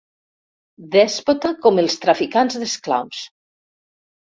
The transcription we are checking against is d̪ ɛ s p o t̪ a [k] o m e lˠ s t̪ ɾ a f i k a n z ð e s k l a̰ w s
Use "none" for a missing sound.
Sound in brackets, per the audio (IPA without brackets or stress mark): k